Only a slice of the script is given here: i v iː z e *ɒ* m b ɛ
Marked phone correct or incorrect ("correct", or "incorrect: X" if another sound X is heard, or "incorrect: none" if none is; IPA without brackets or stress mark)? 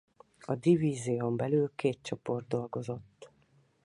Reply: incorrect: o